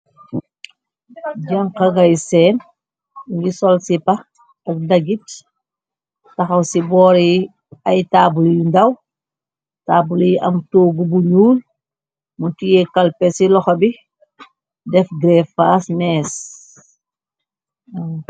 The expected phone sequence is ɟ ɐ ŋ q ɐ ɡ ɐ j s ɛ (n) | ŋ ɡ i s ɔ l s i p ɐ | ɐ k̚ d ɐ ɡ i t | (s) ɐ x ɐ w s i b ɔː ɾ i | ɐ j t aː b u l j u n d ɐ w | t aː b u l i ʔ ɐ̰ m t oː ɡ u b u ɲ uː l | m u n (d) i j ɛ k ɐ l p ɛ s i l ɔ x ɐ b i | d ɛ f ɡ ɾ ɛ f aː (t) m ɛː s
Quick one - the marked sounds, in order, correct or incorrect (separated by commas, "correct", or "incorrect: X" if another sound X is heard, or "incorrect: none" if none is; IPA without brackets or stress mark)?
correct, incorrect: t, incorrect: t, incorrect: s